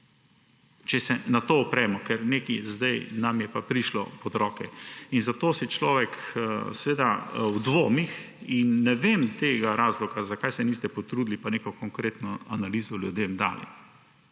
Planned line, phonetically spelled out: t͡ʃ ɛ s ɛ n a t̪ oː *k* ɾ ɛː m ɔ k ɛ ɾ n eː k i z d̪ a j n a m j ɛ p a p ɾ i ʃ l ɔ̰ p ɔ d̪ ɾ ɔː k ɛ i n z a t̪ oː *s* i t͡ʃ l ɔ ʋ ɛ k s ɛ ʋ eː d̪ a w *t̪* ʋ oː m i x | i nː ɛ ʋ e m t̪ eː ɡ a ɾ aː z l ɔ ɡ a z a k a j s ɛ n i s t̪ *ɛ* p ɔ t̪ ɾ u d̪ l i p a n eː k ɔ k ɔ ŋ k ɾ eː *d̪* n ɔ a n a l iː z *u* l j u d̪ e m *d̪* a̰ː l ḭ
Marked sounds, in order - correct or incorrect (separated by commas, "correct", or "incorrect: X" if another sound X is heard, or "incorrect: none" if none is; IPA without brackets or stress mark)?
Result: incorrect: p, correct, incorrect: d̪, correct, incorrect: t̪, incorrect: ɔ, correct